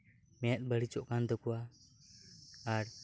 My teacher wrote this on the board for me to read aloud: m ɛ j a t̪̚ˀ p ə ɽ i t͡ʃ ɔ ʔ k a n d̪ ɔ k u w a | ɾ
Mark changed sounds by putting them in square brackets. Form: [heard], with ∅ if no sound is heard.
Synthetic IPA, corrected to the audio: m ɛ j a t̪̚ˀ [b] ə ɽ i t͡ʃ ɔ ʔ k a n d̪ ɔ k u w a | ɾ